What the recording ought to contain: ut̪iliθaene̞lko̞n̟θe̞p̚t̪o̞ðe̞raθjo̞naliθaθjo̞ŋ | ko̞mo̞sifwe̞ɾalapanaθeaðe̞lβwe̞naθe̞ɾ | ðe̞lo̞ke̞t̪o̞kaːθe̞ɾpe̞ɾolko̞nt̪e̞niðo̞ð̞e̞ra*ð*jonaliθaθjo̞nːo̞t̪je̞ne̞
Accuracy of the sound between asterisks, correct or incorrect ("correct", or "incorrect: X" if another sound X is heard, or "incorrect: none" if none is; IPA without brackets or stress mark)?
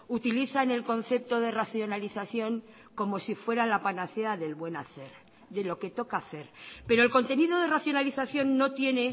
incorrect: θ